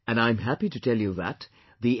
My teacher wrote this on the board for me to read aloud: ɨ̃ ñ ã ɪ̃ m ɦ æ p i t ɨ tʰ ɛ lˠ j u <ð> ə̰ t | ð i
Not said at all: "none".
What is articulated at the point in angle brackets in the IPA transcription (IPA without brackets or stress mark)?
ð